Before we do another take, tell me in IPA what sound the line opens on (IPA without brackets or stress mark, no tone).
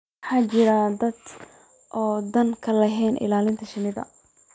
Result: ħ